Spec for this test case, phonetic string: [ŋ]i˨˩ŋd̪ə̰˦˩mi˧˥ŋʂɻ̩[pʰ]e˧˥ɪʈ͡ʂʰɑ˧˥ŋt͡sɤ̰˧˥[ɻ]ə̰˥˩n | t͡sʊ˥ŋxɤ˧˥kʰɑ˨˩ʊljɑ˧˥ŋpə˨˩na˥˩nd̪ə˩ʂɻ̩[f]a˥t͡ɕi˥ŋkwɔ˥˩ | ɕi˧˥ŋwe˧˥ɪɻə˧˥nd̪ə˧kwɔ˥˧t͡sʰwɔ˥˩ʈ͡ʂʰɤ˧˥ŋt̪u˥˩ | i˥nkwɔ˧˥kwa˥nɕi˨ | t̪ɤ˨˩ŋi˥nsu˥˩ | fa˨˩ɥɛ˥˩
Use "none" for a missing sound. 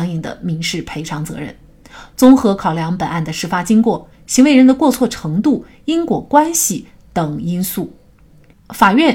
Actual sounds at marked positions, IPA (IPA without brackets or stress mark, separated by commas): ŋ, pʰ, ɻ, f